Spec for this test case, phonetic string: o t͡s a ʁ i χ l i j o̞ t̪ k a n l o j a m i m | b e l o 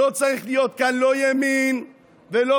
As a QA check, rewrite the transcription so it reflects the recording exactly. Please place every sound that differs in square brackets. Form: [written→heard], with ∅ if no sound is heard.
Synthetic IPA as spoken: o t͡s a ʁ i χ l i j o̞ t̪ k a n l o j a m i [m→n] | [b→v] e l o